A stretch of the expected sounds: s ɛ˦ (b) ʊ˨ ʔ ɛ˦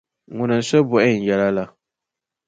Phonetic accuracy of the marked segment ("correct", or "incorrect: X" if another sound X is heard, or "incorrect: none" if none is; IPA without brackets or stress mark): correct